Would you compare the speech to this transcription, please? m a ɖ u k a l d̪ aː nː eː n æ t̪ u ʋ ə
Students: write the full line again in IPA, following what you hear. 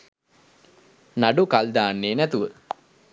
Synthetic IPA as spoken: n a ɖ u k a l d̪ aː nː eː n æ t̪ u ʋ ə

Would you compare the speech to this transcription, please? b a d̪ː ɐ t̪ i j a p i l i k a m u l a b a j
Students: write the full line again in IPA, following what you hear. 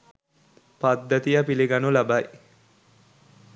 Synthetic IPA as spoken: p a d̪ː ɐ t̪ i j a p i l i ɡ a n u l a b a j

